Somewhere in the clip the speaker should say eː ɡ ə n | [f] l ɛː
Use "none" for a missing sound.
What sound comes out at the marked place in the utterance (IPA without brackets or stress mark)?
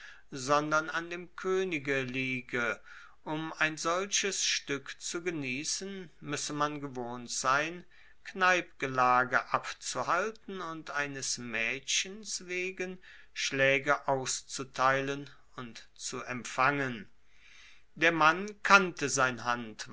ʃ